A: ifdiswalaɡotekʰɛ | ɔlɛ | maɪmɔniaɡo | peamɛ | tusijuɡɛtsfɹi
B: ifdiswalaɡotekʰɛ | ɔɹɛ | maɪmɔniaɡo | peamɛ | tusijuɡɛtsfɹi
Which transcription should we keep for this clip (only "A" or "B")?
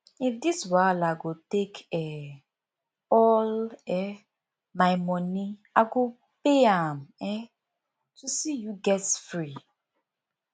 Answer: A